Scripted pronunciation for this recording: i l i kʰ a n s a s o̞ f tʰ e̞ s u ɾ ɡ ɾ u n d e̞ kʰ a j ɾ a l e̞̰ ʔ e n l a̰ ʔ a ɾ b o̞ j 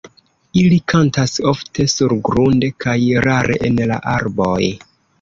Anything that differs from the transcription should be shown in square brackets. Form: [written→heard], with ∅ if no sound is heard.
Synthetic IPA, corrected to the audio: i l i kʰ a n [s→t] a s o̞ f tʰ e̞ s u ɾ ɡ ɾ u n d e̞ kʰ a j ɾ a [l→ɾ] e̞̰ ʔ e n l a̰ ʔ a ɾ b o̞ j